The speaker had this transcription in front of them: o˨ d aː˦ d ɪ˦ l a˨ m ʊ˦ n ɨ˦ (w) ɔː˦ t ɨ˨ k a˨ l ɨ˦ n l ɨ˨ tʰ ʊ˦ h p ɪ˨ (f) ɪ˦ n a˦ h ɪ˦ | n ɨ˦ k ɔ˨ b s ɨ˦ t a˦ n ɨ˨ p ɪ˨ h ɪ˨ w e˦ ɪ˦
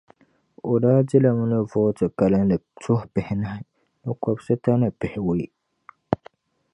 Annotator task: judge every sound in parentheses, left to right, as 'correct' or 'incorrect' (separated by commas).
incorrect, incorrect